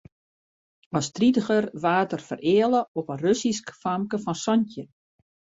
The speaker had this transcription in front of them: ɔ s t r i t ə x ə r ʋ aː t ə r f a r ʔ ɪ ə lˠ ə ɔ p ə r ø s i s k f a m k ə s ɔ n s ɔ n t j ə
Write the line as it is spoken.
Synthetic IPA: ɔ s t r i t ə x ə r ʋ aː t ə r f ə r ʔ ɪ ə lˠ ə ɔ p ə r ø s i s k f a m k ə f ɔ n s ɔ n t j ə